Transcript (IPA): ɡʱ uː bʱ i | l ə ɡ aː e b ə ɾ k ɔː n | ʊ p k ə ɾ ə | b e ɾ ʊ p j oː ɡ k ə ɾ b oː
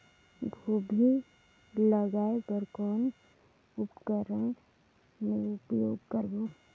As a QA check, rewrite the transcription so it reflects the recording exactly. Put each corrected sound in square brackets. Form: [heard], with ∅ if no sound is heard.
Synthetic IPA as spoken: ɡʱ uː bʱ i | l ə ɡ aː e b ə ɾ k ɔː n | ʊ p k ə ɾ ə | [m] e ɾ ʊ p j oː ɡ k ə ɾ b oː

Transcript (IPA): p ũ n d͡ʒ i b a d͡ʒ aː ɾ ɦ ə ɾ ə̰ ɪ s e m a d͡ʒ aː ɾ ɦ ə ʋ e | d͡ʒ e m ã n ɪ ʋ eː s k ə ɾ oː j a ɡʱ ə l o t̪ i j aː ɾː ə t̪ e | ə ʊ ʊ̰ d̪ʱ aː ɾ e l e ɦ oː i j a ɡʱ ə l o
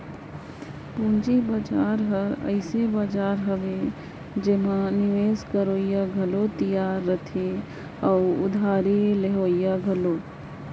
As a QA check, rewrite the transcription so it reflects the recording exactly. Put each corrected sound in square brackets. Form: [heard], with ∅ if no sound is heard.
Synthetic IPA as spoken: p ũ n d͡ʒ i b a d͡ʒ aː ɾ ɦ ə ɾ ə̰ ɪ s e [b] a d͡ʒ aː ɾ ɦ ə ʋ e | d͡ʒ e m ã n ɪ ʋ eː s k ə ɾ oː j a ɡʱ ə l o t̪ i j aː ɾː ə [t̪ʰ] e | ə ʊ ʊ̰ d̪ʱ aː ɾ e l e ɦ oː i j a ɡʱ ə l o

